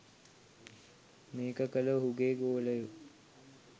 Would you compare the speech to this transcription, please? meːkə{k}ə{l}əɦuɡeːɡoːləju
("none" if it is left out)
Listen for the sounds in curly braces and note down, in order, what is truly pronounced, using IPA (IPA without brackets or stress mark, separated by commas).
k, l